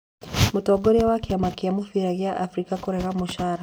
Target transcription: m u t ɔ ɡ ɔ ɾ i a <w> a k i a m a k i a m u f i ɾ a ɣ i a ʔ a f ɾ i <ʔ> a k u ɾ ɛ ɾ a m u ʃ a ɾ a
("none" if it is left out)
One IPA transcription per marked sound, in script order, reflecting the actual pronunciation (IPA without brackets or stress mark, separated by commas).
w, k